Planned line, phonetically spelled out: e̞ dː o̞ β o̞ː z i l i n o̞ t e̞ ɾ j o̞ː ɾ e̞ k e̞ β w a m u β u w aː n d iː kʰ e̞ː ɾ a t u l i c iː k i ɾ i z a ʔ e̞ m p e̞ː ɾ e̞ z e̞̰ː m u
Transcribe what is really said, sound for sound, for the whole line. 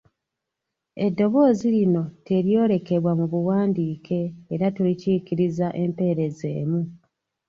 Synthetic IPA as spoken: e̞ dː o̞ β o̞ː z i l i n o̞ t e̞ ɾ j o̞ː ɾ e̞ k e̞ β w a m u β u w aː n d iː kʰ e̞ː ɾ a t u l i c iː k i ɾ i z a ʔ e̞ m p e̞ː ɾ e̞ z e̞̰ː m u